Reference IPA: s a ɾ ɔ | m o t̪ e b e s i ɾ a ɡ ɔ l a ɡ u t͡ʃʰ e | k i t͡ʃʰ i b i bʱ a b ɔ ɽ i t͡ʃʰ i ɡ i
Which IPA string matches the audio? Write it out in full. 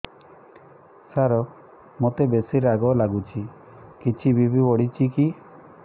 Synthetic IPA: s a ɾ ɔ | m o t̪ e b e s i ɾ a ɡ ɔ l a ɡ u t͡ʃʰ i | k i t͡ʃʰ i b i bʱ i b ɔ ɽ i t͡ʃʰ i k i